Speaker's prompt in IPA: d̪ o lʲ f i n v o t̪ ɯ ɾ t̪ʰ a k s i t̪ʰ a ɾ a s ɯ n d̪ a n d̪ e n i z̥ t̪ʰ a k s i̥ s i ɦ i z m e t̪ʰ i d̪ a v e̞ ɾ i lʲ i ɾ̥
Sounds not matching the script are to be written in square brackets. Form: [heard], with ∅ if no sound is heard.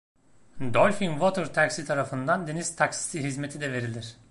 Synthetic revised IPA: d̪ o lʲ f i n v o t̪ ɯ ɾ t̪ʰ a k s i t̪ʰ a ɾ a [f] ɯ n d̪ a n d̪ e n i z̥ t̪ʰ a k s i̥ s i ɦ i z m e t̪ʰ i d̪ [ɛ] v e̞ ɾ i lʲ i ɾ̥

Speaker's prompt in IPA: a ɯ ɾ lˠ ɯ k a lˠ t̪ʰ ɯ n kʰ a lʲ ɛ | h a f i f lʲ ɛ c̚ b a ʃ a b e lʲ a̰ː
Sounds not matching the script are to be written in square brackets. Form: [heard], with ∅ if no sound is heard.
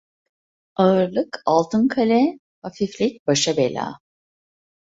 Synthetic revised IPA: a ɯ ɾ lˠ ɯ k a lˠ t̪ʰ ɯ n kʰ a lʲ ɛ | h a f i f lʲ [i] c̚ b a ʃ a b e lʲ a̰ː

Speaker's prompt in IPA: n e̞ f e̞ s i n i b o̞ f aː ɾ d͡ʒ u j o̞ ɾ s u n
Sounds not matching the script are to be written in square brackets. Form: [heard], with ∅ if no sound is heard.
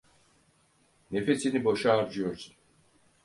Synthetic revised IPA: n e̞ f e̞ s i n i b o̞ [ʃ] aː ɾ d͡ʒ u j o̞ ɾ s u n

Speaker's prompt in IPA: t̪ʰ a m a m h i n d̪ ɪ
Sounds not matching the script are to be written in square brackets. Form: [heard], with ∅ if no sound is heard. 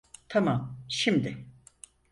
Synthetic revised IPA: t̪ʰ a m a m [ʃ] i [m] d̪ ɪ

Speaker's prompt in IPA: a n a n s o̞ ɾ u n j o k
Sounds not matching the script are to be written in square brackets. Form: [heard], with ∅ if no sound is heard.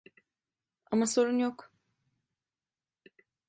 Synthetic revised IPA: a [m] a [∅] s o̞ ɾ u n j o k

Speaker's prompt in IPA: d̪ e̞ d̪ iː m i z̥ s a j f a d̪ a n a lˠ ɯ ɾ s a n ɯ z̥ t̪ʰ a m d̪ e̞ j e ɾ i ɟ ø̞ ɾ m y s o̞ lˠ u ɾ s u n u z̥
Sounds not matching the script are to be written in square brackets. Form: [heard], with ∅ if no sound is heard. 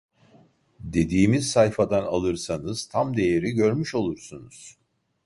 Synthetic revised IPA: d̪ e̞ d̪ iː m i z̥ s a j f a d̪ a n a lˠ ɯ ɾ s a n ɯ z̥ t̪ʰ a m d̪ e̞ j e ɾ i ɟ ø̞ ɾ m y [ʃ] o̞ lˠ u ɾ s u n u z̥

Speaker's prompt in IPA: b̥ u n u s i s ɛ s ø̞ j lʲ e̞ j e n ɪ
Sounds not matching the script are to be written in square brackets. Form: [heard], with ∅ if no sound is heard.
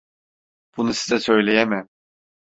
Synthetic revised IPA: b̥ u n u s i [z] ɛ s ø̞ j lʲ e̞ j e [m] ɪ

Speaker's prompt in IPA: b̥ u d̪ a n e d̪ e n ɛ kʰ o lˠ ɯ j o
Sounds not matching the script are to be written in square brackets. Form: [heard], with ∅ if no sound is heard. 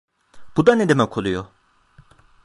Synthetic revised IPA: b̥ u d̪ a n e d̪ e [m] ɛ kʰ o lˠ [u] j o

